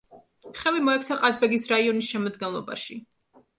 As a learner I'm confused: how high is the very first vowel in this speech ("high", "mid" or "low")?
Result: mid